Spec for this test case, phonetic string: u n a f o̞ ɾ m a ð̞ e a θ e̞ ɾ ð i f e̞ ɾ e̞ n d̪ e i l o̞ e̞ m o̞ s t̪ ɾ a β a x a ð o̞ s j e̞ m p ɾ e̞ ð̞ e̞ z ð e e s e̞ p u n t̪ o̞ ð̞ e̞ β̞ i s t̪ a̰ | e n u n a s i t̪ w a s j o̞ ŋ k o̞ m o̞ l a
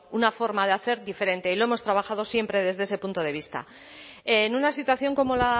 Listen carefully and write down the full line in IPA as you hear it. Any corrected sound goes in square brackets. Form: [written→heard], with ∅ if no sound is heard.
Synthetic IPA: u n a f o̞ ɾ m a ð̞ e a θ e̞ ɾ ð i f e̞ ɾ e̞ n [d̪→t̪] e i l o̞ e̞ m o̞ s t̪ ɾ a β a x a ð o̞ s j e̞ m p ɾ e̞ ð̞ e̞ z ð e e s e̞ p u n t̪ o̞ ð̞ e̞ β̞ i s t̪ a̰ | e n u n a s i t̪ w a [s→θ] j o̞ ŋ k o̞ m o̞ l a

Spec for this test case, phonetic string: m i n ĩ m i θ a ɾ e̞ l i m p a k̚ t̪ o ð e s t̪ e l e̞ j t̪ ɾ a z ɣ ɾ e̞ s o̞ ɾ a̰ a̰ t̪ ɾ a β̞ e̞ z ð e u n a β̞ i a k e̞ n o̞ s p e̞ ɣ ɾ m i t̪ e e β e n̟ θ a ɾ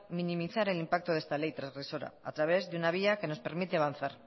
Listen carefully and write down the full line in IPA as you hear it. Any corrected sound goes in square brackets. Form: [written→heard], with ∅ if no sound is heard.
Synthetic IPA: m i n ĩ m i θ a ɾ e̞ l i m p a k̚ t̪ o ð e s t̪ [e→a] l e̞ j t̪ ɾ a z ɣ ɾ e̞ s o̞ ɾ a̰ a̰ t̪ ɾ a β̞ e̞ z ð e u n a β̞ i a k e̞ n o̞ s p e̞ [ɣ→∅] ɾ m i t̪ e [e→a] β [e→a] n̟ θ a ɾ

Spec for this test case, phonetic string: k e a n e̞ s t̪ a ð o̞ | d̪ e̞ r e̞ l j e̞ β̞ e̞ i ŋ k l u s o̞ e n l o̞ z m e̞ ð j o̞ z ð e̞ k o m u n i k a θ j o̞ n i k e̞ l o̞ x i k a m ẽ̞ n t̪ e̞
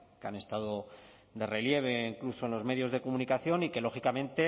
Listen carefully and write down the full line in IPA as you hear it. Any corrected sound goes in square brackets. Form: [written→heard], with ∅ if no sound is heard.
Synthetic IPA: k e a n e̞ s t̪ a ð o̞ | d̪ e̞ r e̞ l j e̞ β̞ e̞ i ŋ k l u s o̞ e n l o̞ z m e̞ ð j o̞ z ð e̞ k o m u n i k a θ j o̞ n i k e̞ l o̞ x i k a m ẽ̞ n t̪ e̞

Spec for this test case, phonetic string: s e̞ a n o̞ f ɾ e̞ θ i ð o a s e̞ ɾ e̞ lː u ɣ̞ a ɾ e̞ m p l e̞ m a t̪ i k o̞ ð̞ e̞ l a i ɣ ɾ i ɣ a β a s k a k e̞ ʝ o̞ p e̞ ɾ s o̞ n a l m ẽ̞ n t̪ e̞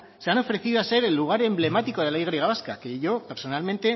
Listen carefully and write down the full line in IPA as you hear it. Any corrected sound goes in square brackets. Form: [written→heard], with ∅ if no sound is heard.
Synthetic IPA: s e̞ a n o̞ f ɾ e̞ θ i ð o a s e̞ ɾ e̞ lː u ɣ̞ a ɾ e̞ m [p→b] l e̞ m a t̪ i k o̞ ð̞ e̞ l a i ɣ ɾ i ɣ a β a s k a k e̞ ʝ o̞ p e̞ ɾ s o̞ n a l m ẽ̞ n t̪ e̞

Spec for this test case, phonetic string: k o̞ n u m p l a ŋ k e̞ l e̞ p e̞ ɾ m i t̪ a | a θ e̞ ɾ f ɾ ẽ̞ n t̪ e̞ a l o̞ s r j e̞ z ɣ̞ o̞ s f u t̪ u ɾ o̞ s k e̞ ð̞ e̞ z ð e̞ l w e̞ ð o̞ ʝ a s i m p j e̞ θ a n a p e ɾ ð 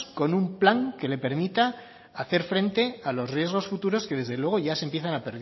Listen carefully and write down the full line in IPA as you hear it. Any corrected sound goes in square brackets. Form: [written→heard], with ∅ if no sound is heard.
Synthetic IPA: k o̞ n u m p l a ŋ k e̞ l e̞ p e̞ ɾ m i t̪ a | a θ e̞ ɾ f ɾ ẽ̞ n t̪ e̞ a l o̞ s r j e̞ z ɣ̞ o̞ s f u t̪ u ɾ o̞ s k e̞ ð̞ e̞ z ð e̞ l w e̞ [ð→ɣ] o̞ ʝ a s [i→e] m p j e̞ θ a n a p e ɾ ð

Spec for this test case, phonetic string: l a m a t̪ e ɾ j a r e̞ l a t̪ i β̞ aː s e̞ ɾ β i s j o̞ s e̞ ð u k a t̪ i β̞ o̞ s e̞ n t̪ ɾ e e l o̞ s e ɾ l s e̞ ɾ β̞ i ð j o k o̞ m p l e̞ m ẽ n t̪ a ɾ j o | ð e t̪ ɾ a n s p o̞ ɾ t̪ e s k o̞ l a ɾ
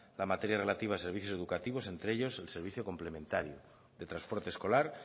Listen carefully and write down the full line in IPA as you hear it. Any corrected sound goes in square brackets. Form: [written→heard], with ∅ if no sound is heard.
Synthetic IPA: l a m a t̪ e ɾ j a r e̞ l a t̪ i β̞ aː s e̞ ɾ β i [s→θ] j o̞ s e̞ ð u k a t̪ i β̞ o̞ s e̞ n t̪ ɾ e e [l→ʎ] o̞ s e [ɾ→∅] l s e̞ ɾ β̞ i [ð→θ] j o k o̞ m p l e̞ m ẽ n t̪ a ɾ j o | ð e t̪ ɾ a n s p o̞ ɾ t̪ e s k o̞ l a ɾ

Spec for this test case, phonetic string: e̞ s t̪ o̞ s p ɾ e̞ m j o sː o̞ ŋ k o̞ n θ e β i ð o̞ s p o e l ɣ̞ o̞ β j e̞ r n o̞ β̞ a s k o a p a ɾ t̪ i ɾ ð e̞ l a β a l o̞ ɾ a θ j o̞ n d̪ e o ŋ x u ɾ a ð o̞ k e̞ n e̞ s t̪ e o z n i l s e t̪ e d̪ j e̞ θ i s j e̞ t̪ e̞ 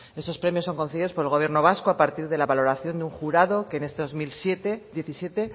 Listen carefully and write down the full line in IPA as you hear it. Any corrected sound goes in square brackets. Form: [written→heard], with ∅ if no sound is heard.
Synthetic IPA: e̞ s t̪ o̞ s p ɾ e̞ m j o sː o̞ ŋ k o̞ n θ e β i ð o̞ s p o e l ɣ̞ o̞ β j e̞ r n o̞ β̞ a s k o a p a ɾ t̪ i ɾ ð e̞ l a β a l o̞ ɾ a θ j o̞ n d̪ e [o→u] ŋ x u ɾ a ð o̞ k e̞ n e̞ s t̪ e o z [n→m] i l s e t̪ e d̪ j e̞ θ i s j e̞ t̪ e̞

